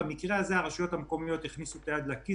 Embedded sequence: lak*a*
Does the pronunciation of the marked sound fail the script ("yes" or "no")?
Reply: yes